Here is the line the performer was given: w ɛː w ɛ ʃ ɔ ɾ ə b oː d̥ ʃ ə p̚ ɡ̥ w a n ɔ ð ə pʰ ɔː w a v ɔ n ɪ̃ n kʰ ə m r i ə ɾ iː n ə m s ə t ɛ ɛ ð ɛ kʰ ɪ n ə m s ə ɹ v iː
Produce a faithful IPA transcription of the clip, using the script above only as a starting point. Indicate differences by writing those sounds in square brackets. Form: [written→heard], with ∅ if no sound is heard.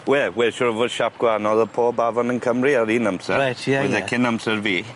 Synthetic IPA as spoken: w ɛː w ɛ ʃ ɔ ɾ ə [b→v] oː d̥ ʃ [ə→a] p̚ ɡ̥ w a n ɔ ð ə pʰ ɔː [w→b] a v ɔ n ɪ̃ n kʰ ə m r i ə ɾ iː n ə m s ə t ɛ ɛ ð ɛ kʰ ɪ n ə m s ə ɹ v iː